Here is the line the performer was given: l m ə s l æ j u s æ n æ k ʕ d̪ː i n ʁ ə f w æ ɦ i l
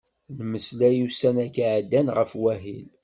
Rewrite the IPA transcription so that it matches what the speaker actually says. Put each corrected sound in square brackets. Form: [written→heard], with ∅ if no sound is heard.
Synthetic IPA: l m ə s l æ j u s æ n æ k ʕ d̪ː [i→æ] n ʁ ə f w æ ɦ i l